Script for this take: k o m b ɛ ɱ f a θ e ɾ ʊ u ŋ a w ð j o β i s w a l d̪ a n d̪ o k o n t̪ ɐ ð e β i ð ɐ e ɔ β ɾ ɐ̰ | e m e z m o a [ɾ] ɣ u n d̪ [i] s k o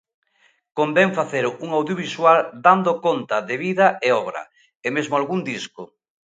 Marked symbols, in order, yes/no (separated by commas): no, yes